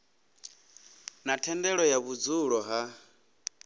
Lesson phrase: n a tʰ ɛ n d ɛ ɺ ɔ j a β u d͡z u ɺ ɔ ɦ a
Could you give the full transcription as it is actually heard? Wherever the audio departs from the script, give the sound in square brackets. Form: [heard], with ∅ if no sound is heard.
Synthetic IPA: n a tʰ ɛ n d ɛ ɺ ɔ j a β u d͡z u ɺ ɔ ɦ a